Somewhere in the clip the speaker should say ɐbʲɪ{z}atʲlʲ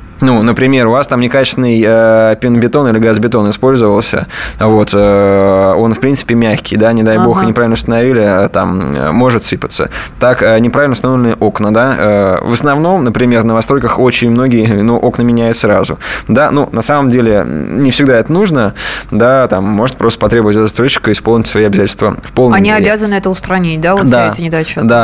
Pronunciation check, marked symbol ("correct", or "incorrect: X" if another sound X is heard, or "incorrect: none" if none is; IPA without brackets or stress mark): correct